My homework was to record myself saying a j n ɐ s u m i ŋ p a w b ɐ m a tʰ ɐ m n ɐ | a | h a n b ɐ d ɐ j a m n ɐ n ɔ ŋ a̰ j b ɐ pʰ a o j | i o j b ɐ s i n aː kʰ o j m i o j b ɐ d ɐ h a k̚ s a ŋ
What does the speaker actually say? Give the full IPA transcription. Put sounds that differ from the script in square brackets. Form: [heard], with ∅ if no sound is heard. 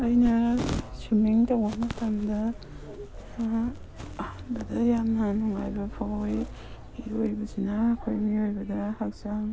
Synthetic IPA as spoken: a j n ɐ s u m i ŋ [t] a w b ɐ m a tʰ [a] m [d] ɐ | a | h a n b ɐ d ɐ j a m n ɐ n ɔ ŋ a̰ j b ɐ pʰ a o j | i o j b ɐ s i n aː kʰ o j m i o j b ɐ d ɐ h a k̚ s a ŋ

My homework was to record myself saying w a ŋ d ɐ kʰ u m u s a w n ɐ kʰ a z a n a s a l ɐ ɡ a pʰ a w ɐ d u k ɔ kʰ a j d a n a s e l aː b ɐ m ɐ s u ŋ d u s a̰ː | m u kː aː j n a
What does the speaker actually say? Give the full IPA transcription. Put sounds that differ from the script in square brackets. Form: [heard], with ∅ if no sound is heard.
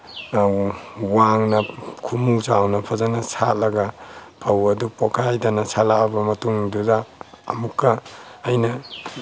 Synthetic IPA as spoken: w a ŋ [n] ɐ kʰ u m u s a w n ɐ [pʰ] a z a n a s a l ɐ ɡ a pʰ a w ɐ d u [p] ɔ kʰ a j d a n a s [a] l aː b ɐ m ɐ [t] u ŋ d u [z] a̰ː | m u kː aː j n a

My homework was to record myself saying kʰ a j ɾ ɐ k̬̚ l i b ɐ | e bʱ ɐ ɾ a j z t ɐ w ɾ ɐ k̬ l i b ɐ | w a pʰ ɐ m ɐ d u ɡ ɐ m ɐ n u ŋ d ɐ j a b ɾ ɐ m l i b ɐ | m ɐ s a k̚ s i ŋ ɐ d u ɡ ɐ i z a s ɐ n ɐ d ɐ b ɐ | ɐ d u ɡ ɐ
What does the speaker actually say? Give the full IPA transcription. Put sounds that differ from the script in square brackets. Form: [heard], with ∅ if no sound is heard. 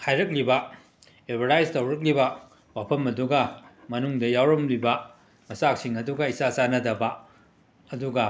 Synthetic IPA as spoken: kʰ a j ɾ ɐ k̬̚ l i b ɐ | e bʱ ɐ ɾ a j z t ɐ w ɾ ɐ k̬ l i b ɐ | w a pʰ ɐ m ɐ d u ɡ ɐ m ɐ n u ŋ d ɐ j a [w] ɾ ɐ m l i b ɐ | m ɐ s a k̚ s i ŋ ɐ d u ɡ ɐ i [s] a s [a] n ɐ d ɐ b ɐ | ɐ d u ɡ ɐ

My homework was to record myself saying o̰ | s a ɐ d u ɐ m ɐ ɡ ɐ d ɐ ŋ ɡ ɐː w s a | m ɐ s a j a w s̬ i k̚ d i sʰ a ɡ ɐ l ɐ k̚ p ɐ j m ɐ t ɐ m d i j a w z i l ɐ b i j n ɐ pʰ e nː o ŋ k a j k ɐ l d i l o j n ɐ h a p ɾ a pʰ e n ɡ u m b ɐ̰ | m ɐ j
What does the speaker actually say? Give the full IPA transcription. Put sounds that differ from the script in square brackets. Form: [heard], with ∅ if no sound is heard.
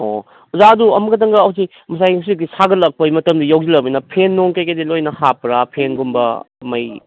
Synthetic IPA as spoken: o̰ | [z] a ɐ d u ɐ m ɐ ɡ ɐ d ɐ ŋ ɡ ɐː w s [i] | m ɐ s a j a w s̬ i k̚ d i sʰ a ɡ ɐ l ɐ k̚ p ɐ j m ɐ t ɐ m d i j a w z i l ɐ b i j n ɐ pʰ e nː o ŋ k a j k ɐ [∅] d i l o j n ɐ h a p ɾ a pʰ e n ɡ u m b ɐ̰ | m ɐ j

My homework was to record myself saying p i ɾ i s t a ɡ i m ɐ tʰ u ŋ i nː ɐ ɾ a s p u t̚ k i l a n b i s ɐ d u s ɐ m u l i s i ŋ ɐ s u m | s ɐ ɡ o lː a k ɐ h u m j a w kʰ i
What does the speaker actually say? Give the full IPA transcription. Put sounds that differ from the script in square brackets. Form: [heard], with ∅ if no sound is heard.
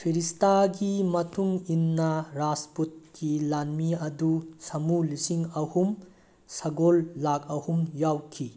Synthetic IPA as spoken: [pʰ] i ɾ i s t a ɡ i m ɐ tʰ u ŋ i nː ɐ ɾ a s p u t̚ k i l a n [m] i [∅] ɐ d u s ɐ m u l i s i ŋ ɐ [h] u m | s ɐ ɡ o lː a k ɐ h u m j a w kʰ i

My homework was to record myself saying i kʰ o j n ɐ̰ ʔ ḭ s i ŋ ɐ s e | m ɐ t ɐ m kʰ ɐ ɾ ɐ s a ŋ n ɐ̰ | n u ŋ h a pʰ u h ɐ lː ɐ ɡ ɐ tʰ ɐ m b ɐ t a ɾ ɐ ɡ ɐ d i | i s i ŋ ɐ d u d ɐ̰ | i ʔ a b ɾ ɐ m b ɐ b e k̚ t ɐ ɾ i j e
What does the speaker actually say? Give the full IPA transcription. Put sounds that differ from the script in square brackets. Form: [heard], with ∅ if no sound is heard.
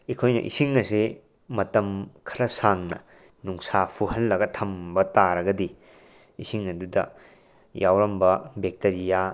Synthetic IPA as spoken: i kʰ o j n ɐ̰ ʔ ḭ s i ŋ ɐ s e | m ɐ t ɐ m kʰ ɐ ɾ ɐ s a ŋ n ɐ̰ | n u ŋ [s] a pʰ u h ɐ lː ɐ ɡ ɐ tʰ ɐ m b ɐ t a ɾ ɐ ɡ ɐ d i | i s i ŋ ɐ d u d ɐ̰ | [j] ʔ a [w] ɾ ɐ m b ɐ b e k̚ t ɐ ɾ i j [a]

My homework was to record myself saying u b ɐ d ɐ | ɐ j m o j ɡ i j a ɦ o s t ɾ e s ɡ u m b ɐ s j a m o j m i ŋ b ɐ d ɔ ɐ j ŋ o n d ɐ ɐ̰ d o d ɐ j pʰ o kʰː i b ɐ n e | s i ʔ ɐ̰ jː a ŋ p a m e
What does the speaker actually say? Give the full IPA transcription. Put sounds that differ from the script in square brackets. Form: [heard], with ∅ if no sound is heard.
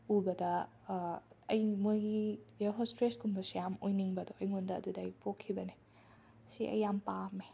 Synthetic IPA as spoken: u b ɐ d ɐ | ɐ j m o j ɡ i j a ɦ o s t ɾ e s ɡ u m b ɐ s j a m o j [n] i ŋ b ɐ d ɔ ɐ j ŋ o n d ɐ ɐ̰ d [u] d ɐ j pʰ o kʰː i b ɐ n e | s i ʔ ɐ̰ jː a [m] p a m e

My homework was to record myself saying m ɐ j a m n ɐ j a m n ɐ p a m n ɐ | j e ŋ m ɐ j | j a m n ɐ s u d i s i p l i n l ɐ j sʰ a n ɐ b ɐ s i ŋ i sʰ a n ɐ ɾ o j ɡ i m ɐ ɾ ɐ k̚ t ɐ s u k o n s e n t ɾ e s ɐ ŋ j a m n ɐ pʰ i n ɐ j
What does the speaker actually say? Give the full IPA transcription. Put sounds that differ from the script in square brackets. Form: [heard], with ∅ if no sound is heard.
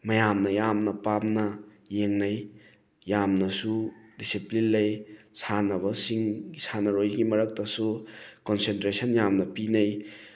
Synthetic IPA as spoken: m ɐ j a m n ɐ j a m n ɐ p a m n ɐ | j e ŋ [n] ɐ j | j a m n ɐ s u d i s i p l i n l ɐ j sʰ a n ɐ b ɐ s i ŋ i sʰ a n ɐ ɾ o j ɡ i m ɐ ɾ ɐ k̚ t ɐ s u k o n s e n t ɾ e s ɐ [n] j a m n ɐ [p] i n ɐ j

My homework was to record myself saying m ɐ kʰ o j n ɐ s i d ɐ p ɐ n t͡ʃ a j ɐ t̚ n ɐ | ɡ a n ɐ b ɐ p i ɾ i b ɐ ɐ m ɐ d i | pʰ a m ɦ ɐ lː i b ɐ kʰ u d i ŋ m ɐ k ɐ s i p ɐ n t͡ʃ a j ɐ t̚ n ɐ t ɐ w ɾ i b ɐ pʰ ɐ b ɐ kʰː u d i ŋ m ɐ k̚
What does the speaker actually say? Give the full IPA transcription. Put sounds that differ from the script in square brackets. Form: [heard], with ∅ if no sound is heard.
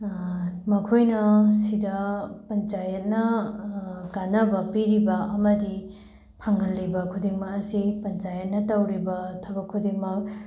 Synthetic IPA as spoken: m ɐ kʰ o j n ɐ s i d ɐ p ɐ n t͡ʃ a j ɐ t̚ n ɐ | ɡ a n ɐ b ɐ p i ɾ i b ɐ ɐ m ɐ d i | pʰ a [ŋ] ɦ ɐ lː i b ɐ kʰ u d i ŋ m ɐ k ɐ s i p ɐ n t͡ʃ a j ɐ t̚ n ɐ t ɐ w ɾ i b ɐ [tʰ] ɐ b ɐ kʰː u d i ŋ m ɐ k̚

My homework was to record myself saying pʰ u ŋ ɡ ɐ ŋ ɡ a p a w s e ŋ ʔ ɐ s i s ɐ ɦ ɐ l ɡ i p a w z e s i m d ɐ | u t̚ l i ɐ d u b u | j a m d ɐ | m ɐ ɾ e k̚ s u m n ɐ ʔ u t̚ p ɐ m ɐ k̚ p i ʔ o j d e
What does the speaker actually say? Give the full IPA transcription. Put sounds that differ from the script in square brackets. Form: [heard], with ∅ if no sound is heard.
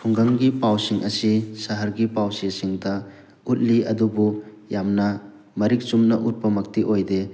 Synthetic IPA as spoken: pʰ u ŋ ɡ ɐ ŋ ɡ [i] p a w s [i] ŋ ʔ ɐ s i s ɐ ɦ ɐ [ɾ] ɡ i p a w [s] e s i [ŋ] d ɐ | u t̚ l i ɐ d u b u | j a m [n] ɐ | m ɐ ɾ [i] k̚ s u m n ɐ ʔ u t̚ p ɐ m ɐ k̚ [t] i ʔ o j d e

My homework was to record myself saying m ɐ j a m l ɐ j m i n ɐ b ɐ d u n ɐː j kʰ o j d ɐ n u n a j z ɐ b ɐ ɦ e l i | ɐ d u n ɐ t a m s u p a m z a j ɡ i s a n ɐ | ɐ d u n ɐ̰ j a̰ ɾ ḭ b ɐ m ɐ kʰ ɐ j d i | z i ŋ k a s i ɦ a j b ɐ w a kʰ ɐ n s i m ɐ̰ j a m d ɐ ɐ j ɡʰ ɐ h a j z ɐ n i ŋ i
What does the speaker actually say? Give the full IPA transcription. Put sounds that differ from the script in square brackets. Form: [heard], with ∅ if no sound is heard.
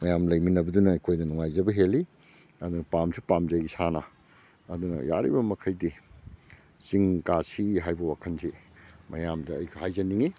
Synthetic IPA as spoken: m ɐ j a m l ɐ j m i n ɐ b ɐ d u n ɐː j kʰ o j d ɐ n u [ŋ] a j z ɐ b ɐ ɦ e l i | ɐ d u n ɐ [p] a m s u p a m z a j ɡ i s a n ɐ | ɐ d u n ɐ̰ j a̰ ɾ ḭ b ɐ m ɐ kʰ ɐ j d i | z i ŋ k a s i ɦ a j b ɐ w a kʰ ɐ n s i m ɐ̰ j a m d ɐ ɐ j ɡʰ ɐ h a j z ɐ n i ŋ i

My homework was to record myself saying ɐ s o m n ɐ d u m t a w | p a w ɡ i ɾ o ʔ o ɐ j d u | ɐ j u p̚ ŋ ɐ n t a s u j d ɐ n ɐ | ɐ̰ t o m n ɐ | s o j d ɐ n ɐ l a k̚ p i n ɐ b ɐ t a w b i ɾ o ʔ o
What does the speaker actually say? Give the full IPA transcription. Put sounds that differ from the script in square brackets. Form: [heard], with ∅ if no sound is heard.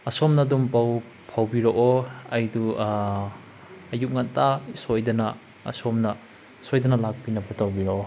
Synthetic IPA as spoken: ɐ s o m n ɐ d u m [p] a w | [pʰ] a w [b] i ɾ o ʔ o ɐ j d u | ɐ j u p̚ ŋ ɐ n t a s [o] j d ɐ n ɐ | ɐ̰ [s] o m n ɐ | s o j d ɐ n ɐ l a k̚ p i n ɐ b ɐ t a w b i ɾ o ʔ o

